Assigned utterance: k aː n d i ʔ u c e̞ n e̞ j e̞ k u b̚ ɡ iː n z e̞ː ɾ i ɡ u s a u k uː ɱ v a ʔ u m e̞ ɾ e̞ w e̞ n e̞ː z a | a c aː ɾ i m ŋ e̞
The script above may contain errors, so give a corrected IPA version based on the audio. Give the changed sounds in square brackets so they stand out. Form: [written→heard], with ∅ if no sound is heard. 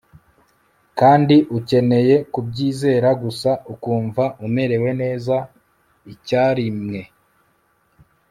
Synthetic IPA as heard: k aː n d i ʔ u c e̞ n e̞ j e̞ k u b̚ [ɡ→ɟ] iː [n→∅] z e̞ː ɾ [i→a] ɡ u s a u k uː ɱ v a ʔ u m e̞ ɾ e̞ w e̞ n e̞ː z a | [a→i] c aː ɾ i m ŋ e̞